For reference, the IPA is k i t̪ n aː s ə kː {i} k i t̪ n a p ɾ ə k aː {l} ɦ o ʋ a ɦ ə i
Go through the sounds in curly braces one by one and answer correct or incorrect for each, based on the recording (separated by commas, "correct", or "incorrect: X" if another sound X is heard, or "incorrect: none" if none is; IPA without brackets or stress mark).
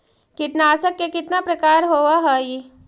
incorrect: e, incorrect: ɾ